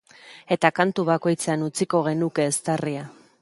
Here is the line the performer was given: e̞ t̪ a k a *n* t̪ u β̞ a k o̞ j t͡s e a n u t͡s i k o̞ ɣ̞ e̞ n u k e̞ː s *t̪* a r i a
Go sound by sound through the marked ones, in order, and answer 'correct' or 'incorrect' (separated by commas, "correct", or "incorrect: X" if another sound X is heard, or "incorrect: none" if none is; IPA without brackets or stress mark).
correct, correct